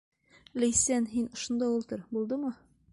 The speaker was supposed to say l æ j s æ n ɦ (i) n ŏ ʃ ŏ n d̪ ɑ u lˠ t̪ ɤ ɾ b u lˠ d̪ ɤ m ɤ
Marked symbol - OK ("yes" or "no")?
yes